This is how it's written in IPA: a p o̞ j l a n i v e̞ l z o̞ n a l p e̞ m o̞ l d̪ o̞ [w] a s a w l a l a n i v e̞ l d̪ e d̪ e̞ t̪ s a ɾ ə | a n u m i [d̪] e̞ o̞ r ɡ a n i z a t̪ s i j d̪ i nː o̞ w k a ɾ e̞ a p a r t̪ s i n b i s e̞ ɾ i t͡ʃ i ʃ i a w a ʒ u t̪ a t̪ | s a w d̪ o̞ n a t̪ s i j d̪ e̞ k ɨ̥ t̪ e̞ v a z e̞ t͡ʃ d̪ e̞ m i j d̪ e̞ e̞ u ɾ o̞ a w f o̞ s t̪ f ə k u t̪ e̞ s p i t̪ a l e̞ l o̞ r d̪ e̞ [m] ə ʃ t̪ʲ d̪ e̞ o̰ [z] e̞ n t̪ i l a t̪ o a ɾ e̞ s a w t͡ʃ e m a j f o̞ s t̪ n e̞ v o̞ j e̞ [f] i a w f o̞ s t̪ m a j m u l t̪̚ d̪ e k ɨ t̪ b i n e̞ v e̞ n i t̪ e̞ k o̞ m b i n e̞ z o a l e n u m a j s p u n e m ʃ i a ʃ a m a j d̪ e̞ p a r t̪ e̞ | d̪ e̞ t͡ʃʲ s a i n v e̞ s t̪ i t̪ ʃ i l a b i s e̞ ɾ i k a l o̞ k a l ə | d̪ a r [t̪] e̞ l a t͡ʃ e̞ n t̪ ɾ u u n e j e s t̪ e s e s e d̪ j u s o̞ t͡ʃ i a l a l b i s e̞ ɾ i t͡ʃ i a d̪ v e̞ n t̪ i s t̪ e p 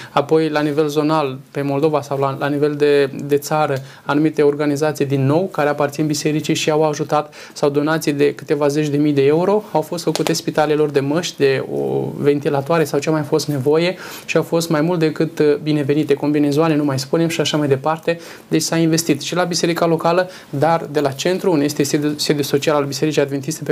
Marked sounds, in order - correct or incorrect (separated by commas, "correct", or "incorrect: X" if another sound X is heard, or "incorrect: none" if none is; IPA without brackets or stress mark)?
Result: incorrect: v, incorrect: t̪, correct, incorrect: v, incorrect: ʃ, incorrect: d̪